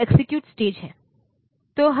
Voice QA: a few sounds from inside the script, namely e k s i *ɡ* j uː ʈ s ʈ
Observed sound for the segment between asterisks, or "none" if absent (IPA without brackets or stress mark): k